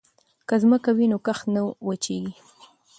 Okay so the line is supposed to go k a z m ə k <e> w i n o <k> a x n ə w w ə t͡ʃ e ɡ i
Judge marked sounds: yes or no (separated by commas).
no, yes